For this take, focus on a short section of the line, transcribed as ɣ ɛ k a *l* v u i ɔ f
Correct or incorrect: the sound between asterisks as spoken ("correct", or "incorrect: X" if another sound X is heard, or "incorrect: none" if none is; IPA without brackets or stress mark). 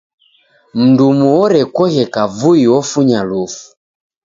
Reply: incorrect: none